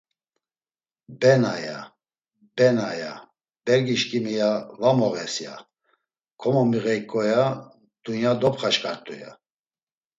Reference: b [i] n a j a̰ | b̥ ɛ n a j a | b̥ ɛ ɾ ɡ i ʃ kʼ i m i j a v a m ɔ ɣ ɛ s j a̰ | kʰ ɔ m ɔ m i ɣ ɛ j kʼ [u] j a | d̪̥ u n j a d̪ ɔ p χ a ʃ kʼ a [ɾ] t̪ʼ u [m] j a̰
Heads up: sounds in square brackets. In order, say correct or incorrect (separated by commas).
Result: incorrect, incorrect, correct, incorrect